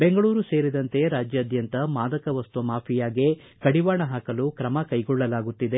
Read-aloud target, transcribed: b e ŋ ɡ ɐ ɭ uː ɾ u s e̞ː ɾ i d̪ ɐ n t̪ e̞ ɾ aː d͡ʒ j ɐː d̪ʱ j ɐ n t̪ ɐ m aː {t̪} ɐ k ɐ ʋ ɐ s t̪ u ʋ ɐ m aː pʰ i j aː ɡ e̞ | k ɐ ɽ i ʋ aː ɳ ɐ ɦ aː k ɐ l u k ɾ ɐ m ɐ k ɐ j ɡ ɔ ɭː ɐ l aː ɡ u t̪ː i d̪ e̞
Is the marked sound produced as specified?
no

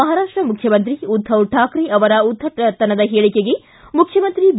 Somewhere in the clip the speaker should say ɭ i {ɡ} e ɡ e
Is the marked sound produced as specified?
no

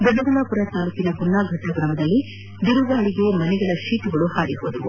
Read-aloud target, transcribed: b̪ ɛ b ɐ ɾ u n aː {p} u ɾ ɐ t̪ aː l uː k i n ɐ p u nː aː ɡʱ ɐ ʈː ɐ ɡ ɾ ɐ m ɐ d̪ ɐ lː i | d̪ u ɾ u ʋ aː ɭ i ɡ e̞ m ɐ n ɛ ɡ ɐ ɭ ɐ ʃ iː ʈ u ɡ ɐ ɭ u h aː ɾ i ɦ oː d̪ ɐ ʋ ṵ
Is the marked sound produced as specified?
yes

